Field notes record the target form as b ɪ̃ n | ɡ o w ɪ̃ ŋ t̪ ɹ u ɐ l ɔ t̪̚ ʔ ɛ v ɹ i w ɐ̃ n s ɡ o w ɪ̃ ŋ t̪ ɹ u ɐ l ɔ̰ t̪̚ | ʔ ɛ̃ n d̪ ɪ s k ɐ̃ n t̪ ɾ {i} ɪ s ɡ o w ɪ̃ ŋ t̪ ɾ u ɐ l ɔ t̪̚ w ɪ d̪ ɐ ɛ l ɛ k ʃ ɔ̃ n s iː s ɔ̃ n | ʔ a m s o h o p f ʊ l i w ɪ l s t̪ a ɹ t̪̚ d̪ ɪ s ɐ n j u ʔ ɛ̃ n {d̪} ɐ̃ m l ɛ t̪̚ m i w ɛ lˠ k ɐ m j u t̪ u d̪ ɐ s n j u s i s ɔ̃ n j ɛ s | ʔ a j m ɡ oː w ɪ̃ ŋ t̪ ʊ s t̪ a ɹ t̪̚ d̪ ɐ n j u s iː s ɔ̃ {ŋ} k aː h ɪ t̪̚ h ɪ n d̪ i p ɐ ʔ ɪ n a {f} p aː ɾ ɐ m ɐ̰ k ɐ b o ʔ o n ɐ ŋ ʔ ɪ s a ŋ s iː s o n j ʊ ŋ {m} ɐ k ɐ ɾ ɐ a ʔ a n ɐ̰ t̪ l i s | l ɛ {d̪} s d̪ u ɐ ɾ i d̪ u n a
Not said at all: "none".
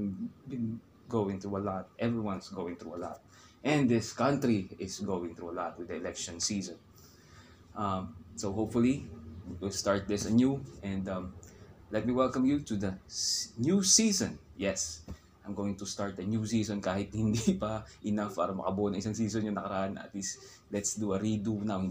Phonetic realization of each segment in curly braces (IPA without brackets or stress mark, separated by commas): i, d̪, n, f, n, t̪